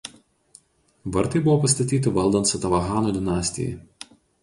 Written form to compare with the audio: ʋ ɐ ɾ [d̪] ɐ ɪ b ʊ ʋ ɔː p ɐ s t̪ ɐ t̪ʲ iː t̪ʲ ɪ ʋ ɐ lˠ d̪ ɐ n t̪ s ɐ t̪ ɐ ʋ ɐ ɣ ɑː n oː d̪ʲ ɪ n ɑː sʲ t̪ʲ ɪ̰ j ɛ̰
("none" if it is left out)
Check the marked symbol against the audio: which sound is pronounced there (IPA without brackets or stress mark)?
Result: t̪